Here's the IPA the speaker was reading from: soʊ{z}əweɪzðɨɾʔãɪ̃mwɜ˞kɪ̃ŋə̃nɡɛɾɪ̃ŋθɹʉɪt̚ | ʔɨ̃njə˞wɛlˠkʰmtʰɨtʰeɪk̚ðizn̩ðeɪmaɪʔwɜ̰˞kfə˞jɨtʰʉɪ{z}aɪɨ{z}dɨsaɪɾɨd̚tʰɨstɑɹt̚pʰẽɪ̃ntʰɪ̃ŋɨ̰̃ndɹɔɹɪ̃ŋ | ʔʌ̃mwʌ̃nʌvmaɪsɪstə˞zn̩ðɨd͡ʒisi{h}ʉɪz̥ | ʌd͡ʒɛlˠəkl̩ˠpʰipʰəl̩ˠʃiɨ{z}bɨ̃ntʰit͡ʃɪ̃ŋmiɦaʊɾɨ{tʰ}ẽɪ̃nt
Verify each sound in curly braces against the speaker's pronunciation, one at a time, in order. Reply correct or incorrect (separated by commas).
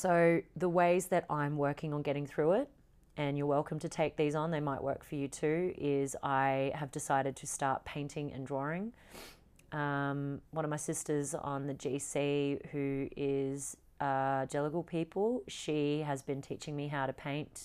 incorrect, correct, incorrect, correct, correct, incorrect